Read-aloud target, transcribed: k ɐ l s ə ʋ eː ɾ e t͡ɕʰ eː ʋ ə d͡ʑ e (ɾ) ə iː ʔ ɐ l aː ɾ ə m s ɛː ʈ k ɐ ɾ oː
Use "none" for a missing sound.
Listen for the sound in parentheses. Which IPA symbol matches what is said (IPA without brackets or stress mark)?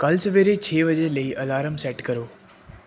l